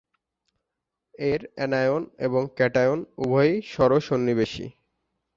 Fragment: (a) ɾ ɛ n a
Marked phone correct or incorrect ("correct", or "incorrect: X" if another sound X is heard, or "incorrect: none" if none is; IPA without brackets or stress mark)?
incorrect: e